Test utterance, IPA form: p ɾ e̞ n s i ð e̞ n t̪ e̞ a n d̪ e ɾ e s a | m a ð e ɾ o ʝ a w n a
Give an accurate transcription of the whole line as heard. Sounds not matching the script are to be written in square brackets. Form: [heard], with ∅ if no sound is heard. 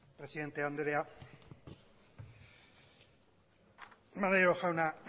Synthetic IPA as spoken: p ɾ e̞ [∅] s i ð e̞ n t̪ e̞ a n d̪ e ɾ e [∅] a | m a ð e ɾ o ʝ a w n a